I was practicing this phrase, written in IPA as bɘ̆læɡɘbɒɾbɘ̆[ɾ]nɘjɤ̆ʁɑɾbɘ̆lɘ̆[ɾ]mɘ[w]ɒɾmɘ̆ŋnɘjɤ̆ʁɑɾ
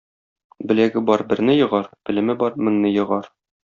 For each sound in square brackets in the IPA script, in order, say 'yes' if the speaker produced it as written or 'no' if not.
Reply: yes, no, no

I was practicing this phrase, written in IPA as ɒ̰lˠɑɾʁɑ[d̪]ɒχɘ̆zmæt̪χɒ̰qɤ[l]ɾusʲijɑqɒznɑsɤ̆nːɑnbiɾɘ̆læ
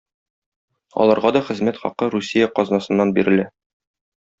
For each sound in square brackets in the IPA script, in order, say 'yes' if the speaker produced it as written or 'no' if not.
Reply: yes, no

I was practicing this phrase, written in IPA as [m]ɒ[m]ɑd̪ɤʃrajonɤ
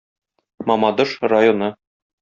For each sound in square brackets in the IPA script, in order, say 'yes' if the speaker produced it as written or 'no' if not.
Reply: yes, yes

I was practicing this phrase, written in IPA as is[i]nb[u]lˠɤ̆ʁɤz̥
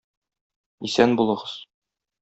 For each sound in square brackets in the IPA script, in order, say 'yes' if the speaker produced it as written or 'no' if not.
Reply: no, yes

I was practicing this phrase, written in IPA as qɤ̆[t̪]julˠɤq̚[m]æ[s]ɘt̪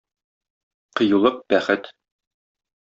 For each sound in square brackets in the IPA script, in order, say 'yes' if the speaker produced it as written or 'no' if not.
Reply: no, no, no

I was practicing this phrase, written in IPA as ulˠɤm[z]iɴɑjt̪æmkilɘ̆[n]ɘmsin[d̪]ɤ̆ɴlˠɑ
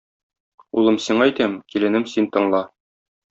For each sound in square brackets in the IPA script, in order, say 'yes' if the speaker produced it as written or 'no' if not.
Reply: no, yes, no

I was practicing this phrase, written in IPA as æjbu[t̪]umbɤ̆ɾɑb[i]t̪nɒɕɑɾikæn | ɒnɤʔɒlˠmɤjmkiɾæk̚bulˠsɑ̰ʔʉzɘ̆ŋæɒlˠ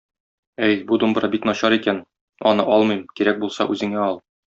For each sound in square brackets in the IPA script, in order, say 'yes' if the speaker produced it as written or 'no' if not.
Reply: no, yes

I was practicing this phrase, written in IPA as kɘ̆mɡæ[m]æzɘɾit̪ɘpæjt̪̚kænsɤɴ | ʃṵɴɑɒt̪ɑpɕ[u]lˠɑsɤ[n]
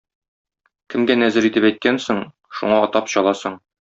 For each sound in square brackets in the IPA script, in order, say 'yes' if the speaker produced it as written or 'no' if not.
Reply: no, no, no

